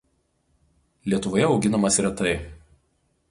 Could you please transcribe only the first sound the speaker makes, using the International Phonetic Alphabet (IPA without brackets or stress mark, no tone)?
lʲ